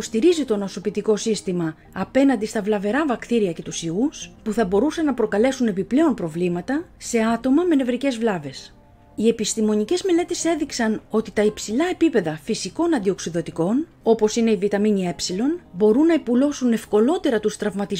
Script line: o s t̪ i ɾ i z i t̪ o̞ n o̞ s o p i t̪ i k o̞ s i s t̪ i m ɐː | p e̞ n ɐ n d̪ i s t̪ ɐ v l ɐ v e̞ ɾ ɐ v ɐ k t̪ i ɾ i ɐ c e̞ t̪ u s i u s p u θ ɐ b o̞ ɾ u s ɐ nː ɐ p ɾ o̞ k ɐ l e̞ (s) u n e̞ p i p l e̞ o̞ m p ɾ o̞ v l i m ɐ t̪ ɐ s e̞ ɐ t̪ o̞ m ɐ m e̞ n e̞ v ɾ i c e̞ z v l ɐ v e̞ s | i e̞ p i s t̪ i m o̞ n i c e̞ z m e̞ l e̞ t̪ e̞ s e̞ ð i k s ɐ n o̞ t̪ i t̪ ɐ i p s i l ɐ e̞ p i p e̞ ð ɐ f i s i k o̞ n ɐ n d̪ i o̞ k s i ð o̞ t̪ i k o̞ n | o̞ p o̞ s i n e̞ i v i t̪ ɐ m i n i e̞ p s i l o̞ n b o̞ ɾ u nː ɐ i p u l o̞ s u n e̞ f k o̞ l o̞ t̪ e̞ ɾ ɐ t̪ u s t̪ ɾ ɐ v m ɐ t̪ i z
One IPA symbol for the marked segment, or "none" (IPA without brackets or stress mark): s